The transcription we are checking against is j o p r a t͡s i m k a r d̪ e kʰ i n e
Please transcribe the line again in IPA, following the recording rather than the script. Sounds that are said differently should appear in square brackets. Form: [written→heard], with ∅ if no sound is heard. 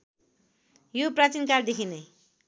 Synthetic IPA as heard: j o p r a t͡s i [m→n] k a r d̪ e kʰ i n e